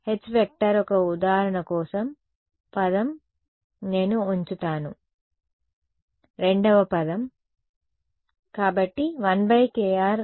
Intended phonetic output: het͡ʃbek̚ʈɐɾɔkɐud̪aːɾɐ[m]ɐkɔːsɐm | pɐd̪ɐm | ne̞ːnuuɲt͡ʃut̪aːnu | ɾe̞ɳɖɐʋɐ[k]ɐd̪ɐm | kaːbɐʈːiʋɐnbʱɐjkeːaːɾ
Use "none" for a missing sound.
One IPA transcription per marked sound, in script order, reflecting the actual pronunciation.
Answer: ɳ, p

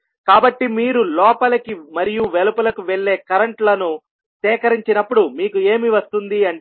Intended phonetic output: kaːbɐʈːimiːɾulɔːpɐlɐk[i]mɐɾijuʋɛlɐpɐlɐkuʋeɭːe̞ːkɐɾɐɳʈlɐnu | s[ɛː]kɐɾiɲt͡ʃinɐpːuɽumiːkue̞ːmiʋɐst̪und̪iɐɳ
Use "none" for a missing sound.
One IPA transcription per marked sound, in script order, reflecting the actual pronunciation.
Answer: i, ɛː

